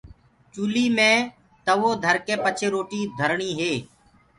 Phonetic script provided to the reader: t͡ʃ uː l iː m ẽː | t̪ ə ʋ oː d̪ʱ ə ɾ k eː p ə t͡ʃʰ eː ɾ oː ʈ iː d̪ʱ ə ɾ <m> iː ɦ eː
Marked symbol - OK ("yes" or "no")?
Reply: no